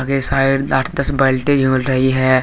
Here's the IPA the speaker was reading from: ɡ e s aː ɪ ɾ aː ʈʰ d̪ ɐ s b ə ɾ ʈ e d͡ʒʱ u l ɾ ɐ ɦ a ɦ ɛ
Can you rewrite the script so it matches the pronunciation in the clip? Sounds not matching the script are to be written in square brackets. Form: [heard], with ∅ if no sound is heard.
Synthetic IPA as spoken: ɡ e s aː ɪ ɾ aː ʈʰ d̪ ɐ s b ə [l] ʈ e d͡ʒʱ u l ɾ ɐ ɦ [i] ɦ ɛ